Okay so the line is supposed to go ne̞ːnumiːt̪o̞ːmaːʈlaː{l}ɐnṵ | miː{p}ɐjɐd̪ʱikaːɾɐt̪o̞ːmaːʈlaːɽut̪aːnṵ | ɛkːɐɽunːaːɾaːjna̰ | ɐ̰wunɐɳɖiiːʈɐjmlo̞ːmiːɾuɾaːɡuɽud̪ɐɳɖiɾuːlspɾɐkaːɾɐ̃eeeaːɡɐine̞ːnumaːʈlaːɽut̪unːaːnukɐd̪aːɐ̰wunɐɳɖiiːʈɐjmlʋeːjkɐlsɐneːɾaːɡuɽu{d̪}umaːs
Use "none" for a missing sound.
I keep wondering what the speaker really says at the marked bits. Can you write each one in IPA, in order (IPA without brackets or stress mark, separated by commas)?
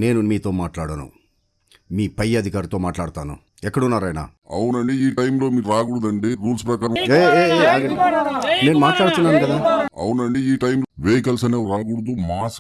ɽ, p, d̪